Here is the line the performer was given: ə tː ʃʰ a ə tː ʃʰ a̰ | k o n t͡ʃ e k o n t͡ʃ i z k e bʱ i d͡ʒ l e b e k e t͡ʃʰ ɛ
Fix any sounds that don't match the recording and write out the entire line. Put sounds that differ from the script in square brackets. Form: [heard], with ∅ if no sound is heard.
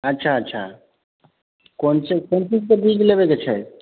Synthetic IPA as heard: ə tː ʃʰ a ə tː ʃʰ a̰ | k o n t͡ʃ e k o n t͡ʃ i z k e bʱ i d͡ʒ l e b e k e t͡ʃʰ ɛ